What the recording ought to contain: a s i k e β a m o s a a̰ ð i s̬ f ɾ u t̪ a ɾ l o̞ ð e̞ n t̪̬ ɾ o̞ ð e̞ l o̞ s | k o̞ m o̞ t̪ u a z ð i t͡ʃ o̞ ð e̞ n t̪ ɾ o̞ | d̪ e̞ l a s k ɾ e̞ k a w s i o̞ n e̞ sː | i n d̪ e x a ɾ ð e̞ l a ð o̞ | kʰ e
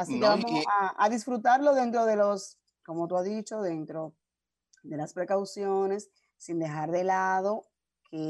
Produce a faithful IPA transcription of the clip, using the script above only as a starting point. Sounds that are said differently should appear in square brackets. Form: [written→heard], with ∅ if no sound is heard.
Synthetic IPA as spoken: a s i k e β a m o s a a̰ ð i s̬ f ɾ u t̪ a ɾ l o̞ ð e̞ n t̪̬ ɾ o̞ ð e̞ l o̞ s | k o̞ m o̞ t̪ u a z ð i t͡ʃ o̞ ð e̞ n t̪ ɾ o̞ | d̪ e̞ l a s [k→p] ɾ e̞ k a w s [i→j] o̞ n e̞ sː | i n d̪ e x a ɾ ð e̞ l a ð o̞ | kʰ e